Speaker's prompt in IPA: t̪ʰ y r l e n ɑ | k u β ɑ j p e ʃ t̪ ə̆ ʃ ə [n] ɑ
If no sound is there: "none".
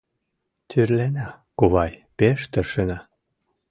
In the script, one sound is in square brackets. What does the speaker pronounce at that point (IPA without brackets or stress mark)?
n